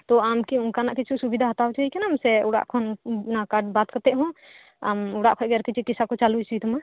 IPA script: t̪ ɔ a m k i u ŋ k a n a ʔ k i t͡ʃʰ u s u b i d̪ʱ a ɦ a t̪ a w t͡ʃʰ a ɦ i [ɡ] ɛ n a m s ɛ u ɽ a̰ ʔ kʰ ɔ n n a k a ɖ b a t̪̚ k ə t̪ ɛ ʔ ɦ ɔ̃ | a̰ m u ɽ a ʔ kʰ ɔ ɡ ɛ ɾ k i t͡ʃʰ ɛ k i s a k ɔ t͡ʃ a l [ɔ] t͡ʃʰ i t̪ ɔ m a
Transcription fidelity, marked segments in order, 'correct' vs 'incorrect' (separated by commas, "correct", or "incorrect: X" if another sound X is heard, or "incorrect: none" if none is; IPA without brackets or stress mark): incorrect: k, incorrect: u